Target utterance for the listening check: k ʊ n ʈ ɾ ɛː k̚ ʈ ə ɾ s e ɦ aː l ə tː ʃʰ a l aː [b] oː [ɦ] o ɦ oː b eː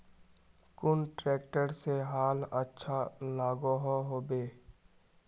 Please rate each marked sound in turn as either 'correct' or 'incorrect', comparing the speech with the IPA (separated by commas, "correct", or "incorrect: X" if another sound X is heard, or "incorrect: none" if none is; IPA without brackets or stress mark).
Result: incorrect: ɡ, correct